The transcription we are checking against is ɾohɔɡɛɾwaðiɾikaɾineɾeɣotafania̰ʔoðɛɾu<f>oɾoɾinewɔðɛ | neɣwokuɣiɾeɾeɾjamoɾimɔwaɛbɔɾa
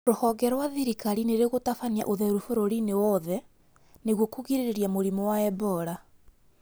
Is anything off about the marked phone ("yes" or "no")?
no